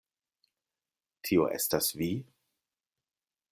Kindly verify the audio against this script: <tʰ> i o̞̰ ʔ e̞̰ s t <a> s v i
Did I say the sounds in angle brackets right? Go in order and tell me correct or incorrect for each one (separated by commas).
correct, correct